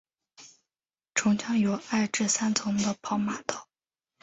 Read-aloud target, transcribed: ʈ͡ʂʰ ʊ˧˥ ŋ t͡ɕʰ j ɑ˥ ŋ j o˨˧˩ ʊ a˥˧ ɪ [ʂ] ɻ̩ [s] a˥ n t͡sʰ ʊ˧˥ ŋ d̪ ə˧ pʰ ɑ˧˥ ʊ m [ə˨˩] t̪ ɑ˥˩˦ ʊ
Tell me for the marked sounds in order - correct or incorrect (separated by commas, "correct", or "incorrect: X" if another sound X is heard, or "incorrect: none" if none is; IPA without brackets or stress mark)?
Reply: incorrect: ʈ͡ʂ, correct, incorrect: a˨˩